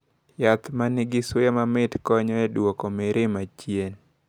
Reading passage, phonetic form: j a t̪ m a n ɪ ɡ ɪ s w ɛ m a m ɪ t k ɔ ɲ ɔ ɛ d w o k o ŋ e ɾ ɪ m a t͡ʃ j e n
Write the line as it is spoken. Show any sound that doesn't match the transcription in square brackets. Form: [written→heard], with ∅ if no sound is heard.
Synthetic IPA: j a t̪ m a n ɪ ɡ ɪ s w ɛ m a m ɪ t k ɔ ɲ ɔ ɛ d w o k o [ŋ→m] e ɾ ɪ m a t͡ʃ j e n